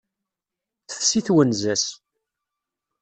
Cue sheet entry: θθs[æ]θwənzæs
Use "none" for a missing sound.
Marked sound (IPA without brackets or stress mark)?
i